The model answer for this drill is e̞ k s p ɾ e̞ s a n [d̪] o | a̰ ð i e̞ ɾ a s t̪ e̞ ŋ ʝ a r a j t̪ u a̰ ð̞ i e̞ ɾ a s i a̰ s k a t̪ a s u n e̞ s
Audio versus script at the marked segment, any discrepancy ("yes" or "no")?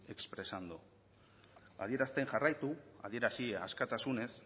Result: no